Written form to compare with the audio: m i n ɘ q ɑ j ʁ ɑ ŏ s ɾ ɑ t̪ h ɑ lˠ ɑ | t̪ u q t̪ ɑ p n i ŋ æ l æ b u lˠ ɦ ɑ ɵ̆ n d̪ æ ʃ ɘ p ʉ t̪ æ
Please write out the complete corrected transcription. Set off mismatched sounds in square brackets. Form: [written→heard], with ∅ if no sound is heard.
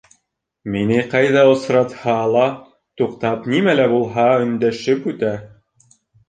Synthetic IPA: m i n ɘ q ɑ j [ʁ→ð] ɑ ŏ s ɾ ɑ t̪ h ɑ lˠ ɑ | t̪ u q t̪ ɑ p n i [ŋ→m] æ l æ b u lˠ ɦ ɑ ɵ̆ n d̪ æ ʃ ɘ p ʉ t̪ æ